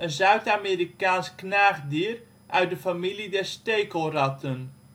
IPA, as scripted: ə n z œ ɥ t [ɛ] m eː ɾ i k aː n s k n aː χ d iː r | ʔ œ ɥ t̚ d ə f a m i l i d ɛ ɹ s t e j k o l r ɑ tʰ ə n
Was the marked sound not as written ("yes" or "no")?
yes